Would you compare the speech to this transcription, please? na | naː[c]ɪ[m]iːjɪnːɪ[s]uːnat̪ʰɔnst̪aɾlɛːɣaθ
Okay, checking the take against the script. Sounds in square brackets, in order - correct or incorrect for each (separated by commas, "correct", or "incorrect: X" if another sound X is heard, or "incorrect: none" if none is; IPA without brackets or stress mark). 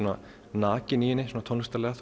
correct, incorrect: n, correct